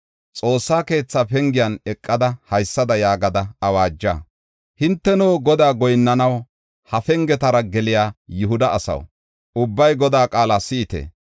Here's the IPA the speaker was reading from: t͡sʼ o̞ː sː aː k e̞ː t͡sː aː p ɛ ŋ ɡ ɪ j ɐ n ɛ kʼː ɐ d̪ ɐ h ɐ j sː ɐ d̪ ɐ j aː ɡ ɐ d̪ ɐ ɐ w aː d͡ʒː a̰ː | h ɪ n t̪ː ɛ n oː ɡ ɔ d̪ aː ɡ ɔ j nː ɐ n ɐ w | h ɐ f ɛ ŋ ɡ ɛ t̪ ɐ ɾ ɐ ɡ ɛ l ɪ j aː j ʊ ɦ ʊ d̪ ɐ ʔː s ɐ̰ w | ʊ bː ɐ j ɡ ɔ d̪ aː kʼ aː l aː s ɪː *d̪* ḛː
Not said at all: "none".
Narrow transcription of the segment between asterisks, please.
t̪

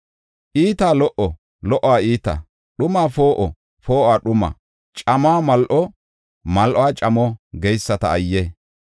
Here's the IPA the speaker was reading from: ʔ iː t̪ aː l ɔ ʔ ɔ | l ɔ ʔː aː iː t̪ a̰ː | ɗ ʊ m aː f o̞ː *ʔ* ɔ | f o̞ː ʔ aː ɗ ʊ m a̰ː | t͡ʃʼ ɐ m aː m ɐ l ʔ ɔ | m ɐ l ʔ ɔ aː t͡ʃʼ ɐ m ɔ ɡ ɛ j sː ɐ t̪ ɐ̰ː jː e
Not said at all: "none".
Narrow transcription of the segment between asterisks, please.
ʔ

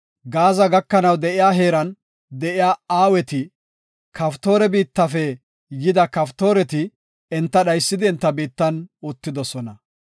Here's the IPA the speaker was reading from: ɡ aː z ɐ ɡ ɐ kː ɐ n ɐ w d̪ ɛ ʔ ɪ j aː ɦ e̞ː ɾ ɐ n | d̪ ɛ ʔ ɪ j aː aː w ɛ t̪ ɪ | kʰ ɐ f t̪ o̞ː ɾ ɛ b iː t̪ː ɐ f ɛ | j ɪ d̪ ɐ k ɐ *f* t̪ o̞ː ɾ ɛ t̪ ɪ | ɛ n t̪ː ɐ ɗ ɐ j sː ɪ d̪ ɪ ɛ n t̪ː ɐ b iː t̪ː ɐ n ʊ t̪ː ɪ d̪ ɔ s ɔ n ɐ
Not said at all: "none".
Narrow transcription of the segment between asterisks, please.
f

